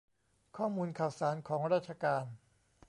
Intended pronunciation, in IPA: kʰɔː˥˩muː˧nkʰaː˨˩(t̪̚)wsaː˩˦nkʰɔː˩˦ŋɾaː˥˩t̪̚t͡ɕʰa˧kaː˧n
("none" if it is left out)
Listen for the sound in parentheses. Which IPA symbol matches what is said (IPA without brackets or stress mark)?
none